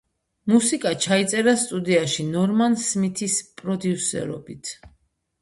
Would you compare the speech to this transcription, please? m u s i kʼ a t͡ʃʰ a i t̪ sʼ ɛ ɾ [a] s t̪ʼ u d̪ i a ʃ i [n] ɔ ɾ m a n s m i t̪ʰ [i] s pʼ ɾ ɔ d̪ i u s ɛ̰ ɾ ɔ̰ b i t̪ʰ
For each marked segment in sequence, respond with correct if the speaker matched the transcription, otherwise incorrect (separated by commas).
correct, correct, correct